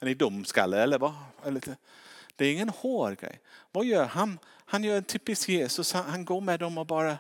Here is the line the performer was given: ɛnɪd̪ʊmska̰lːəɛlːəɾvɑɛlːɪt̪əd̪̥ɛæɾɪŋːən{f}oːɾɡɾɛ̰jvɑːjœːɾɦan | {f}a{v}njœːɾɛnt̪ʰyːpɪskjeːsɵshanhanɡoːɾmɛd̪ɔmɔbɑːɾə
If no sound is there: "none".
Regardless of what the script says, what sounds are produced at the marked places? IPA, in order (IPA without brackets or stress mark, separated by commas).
h, h, none